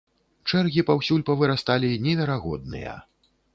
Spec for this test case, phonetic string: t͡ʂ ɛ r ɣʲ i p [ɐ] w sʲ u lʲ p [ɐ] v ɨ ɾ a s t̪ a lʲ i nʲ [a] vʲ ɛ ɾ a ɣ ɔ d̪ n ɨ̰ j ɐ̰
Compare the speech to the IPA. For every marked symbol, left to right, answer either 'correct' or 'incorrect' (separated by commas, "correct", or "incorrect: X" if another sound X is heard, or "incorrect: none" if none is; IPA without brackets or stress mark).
incorrect: a, correct, incorrect: ɛ